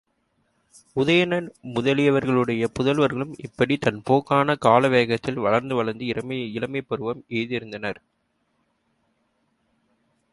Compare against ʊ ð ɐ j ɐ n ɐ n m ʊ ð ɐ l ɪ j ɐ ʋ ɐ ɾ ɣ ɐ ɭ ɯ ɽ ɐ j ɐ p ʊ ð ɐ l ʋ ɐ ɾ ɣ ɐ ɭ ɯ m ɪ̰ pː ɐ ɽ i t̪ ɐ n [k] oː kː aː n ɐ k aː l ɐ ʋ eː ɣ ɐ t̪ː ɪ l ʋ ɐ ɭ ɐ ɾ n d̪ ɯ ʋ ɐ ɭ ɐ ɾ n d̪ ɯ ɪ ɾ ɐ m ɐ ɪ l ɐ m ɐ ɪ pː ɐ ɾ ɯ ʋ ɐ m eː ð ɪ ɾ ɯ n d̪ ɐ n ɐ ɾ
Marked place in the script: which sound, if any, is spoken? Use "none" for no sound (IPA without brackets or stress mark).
p